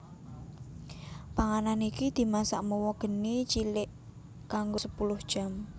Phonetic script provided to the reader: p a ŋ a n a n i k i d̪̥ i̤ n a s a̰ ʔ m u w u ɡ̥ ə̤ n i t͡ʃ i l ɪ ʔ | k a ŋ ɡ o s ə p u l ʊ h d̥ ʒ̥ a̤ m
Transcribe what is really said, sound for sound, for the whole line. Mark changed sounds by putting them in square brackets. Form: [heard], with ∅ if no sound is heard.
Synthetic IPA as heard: p a ŋ a n a n i k i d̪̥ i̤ [m] a s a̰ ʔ m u w [ɔ] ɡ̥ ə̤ n i t͡ʃ i l ɪ ʔ | k a ŋ ɡ o s ə p u l ʊ h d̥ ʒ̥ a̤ m